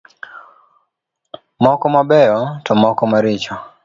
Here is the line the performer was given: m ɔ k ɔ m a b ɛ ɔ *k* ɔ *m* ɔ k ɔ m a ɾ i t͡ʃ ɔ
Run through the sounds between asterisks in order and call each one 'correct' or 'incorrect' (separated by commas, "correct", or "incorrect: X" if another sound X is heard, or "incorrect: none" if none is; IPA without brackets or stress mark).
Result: incorrect: t, correct